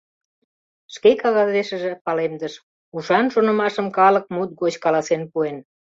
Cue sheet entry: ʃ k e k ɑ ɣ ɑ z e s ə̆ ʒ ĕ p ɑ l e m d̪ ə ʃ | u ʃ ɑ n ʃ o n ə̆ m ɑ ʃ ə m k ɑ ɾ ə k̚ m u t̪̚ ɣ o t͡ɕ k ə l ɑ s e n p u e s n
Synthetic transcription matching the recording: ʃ k e k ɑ ɣ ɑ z e ʃ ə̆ ʒ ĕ p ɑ l e m d̪ ə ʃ | u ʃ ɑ n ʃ o n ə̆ m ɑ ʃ ə m k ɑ l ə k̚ m u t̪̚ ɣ o t͡ɕ k ɑ l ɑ s e n p u e n